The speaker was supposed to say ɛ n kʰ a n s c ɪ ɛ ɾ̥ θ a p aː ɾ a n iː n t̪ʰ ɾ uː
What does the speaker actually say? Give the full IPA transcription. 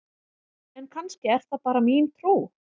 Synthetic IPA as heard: ɛ n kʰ a n s c ɪ ɛ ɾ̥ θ a p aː ɾ a m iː n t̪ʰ ɾ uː